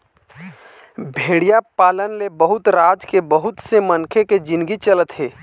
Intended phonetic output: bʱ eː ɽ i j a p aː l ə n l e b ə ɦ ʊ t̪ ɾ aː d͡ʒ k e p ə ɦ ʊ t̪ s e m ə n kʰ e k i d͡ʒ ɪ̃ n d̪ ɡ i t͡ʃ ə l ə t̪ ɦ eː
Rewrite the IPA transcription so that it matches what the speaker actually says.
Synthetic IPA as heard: bʱ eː ɽ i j a p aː l ə n l e b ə ɦ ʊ t̪ ɾ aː d͡ʒ k e b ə ɦ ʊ t̪ s e m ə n kʰ e k e d͡ʒ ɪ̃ n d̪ ɡ i t͡ʃ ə l ə t̪ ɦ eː